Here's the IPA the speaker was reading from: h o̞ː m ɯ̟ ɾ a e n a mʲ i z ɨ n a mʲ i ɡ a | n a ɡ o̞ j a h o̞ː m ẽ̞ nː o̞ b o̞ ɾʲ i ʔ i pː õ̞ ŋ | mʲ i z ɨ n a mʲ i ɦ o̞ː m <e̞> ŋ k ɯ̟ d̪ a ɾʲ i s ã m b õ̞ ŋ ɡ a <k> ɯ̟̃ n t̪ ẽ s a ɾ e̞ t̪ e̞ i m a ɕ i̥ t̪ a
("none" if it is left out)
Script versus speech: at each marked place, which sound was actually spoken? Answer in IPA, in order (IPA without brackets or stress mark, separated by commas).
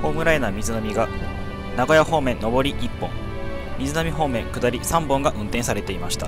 ẽ̞, ʔ